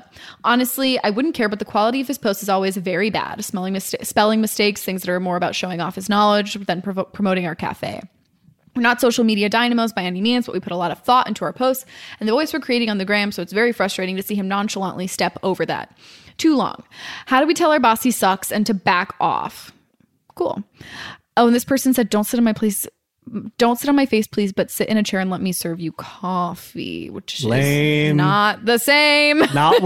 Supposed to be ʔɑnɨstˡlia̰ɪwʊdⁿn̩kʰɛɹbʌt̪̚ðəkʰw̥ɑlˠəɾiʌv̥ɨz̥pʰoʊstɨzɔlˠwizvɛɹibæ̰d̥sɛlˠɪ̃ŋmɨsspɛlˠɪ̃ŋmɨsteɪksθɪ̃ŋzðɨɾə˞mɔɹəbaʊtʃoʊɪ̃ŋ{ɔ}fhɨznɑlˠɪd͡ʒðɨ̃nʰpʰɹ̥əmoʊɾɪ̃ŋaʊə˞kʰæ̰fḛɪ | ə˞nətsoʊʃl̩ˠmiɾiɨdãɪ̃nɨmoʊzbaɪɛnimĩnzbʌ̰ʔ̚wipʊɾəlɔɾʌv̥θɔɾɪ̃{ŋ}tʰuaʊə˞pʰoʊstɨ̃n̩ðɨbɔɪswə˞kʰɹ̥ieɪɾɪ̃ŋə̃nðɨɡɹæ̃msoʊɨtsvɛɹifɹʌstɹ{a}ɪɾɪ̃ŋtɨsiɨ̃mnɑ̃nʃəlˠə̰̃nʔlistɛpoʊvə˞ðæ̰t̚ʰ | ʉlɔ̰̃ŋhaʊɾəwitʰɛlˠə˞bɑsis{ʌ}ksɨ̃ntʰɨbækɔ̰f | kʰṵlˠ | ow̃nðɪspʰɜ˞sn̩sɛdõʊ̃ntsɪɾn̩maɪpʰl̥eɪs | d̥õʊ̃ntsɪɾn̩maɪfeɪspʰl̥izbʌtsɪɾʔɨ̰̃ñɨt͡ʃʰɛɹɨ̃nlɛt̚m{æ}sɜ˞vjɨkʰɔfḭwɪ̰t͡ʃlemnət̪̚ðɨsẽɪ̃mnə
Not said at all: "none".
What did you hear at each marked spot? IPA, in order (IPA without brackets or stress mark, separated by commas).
ɔ, n, e, ʌ, i